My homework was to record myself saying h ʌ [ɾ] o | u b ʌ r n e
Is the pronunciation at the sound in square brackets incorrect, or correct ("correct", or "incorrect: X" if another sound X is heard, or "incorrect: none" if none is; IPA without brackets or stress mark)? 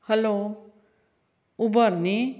incorrect: l